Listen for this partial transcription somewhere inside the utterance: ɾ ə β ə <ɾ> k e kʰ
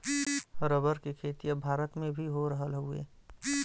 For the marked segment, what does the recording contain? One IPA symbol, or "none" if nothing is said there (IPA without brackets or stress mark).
ɾ